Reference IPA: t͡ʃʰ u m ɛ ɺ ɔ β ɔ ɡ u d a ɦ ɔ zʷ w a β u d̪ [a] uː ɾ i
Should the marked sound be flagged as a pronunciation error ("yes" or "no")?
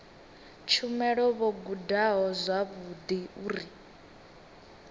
yes